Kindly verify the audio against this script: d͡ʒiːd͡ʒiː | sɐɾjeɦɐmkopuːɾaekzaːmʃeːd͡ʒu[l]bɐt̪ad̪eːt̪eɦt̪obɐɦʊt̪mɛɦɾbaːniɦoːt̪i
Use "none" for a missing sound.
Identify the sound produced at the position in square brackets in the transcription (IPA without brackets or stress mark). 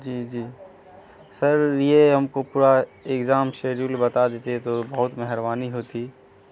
l